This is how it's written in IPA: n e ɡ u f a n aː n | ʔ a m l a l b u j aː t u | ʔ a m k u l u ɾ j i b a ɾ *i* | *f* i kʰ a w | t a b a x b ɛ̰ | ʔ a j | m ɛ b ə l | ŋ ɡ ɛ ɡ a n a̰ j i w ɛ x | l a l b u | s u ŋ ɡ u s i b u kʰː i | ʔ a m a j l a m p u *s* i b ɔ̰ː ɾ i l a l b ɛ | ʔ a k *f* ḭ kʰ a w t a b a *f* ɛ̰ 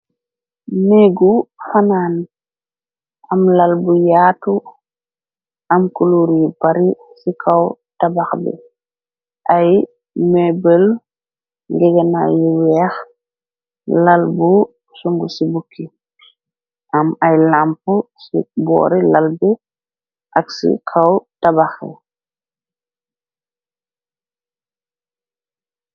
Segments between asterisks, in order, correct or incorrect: correct, incorrect: s, correct, incorrect: s, incorrect: x

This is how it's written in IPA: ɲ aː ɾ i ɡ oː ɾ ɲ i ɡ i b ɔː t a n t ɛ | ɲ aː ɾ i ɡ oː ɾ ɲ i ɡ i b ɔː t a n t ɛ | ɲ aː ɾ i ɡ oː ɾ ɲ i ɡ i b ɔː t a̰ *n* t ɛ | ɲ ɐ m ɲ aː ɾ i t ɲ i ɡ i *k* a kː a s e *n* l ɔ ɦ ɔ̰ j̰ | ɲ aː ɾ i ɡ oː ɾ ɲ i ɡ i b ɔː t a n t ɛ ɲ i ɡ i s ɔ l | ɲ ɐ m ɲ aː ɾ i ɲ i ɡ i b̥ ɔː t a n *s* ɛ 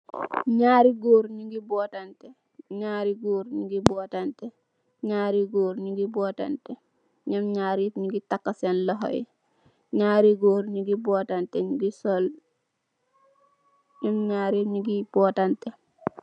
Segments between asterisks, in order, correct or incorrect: correct, incorrect: t, correct, incorrect: t

